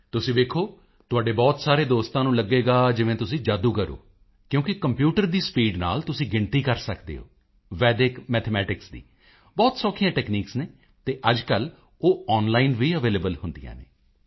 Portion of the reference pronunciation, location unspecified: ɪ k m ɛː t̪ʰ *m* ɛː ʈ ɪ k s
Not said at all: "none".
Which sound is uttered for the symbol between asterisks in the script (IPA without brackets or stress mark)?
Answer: m